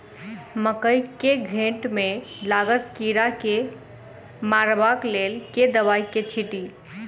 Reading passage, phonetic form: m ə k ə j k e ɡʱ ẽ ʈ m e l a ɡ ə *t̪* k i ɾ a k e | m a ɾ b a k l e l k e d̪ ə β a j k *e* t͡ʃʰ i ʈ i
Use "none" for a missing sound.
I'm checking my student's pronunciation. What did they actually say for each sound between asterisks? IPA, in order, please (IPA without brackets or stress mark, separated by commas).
t̪, e